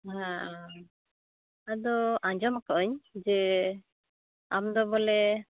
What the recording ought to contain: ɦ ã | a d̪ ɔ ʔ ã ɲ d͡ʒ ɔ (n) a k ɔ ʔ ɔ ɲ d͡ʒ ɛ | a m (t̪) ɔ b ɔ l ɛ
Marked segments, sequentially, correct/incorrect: incorrect: m, incorrect: d̪

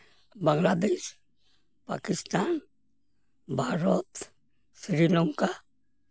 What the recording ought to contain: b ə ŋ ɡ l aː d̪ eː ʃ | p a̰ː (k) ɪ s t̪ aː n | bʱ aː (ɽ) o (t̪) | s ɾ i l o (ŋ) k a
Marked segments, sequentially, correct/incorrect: correct, incorrect: ɾ, correct, correct

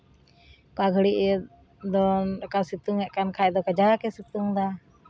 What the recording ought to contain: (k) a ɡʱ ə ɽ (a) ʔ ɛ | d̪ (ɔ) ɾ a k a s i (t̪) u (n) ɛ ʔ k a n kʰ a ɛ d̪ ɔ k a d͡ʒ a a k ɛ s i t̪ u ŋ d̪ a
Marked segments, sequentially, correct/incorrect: correct, incorrect: i, correct, correct, incorrect: ŋ

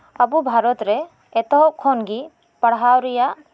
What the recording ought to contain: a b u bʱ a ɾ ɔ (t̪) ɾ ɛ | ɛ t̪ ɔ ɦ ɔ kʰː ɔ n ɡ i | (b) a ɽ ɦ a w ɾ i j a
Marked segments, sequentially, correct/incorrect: correct, incorrect: p

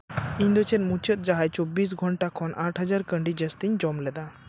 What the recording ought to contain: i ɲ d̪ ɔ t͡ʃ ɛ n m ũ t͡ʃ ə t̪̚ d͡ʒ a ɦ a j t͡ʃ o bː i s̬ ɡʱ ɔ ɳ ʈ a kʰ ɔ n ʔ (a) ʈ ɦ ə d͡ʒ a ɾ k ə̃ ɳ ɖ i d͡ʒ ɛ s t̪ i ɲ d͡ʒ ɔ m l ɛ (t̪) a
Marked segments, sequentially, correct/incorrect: correct, incorrect: d̪

